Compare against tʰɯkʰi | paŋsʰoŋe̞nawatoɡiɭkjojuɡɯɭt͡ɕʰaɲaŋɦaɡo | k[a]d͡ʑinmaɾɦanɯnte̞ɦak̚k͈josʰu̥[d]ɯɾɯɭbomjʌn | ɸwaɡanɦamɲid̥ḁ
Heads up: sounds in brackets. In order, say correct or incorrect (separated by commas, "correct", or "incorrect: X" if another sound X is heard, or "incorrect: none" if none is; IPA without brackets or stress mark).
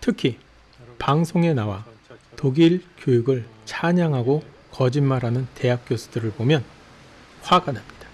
incorrect: ʌ, correct